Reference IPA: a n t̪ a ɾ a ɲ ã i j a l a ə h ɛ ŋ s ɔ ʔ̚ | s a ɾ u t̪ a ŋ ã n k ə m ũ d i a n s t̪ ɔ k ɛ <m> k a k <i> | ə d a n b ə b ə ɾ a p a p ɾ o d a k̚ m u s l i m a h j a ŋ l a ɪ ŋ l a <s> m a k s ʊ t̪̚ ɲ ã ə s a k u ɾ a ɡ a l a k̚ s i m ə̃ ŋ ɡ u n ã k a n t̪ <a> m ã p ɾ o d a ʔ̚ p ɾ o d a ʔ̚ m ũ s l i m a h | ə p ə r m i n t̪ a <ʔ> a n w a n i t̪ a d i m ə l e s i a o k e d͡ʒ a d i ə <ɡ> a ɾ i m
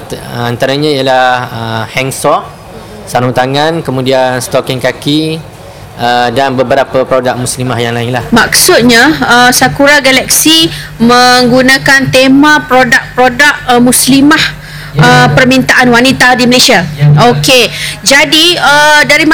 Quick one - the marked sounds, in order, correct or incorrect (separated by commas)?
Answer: incorrect, correct, incorrect, incorrect, correct, incorrect